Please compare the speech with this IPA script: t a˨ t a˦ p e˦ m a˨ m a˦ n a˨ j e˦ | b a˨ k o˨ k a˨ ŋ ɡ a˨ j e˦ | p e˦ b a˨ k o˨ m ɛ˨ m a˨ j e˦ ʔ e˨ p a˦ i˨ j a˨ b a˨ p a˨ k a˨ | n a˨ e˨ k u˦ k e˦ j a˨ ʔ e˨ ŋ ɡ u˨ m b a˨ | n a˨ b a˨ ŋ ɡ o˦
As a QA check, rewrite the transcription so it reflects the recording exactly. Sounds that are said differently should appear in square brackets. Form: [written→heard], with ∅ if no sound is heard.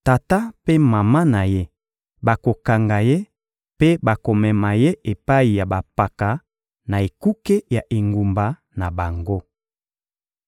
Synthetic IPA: t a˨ t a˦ p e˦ m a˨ m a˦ n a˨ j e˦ | b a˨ k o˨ k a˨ ŋ ɡ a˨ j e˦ | p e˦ b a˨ k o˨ m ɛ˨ m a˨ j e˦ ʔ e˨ p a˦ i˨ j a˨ b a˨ p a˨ k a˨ | n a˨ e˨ k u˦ k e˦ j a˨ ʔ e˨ ŋ ɡ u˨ m b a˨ | n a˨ b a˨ ŋ ɡ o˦